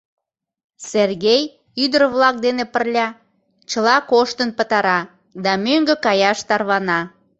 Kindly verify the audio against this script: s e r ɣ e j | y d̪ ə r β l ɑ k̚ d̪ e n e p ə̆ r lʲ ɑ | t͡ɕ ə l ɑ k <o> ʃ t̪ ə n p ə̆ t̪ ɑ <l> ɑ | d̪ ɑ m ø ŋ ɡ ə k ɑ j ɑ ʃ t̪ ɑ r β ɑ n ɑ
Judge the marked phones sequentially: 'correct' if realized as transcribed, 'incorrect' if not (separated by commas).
correct, incorrect